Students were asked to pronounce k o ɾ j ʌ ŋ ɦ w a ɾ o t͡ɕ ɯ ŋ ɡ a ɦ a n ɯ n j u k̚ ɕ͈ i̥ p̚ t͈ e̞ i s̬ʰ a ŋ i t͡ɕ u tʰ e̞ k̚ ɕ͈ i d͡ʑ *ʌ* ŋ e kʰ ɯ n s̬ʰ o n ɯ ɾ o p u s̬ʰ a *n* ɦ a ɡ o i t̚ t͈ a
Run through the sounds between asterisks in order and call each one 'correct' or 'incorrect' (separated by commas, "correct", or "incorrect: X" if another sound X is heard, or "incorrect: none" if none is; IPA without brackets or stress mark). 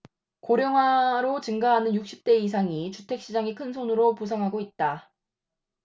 incorrect: a, incorrect: ŋ